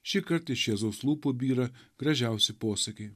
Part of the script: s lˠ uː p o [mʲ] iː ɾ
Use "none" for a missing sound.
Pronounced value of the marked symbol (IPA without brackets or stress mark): bʲ